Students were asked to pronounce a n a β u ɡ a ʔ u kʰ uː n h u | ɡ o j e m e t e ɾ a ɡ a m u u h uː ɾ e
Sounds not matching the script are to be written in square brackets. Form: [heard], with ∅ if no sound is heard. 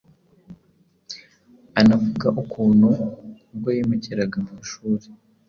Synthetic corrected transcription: a n a [v] u ɡ a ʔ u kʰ uː n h u | ɡ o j e m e [c] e ɾ a ɡ a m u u [ʃ] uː ɾ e